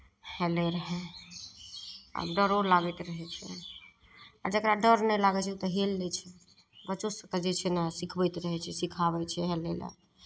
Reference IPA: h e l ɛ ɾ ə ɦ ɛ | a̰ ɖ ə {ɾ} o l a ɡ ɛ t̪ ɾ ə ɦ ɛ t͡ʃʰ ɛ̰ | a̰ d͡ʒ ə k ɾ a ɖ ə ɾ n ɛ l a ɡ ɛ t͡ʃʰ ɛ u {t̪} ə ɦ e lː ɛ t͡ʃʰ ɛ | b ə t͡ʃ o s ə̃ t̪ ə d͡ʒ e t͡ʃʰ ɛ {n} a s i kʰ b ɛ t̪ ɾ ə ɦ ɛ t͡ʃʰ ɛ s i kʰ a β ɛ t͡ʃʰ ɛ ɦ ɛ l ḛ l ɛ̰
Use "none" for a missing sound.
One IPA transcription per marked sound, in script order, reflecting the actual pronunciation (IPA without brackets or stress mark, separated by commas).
ɾ, t̪, n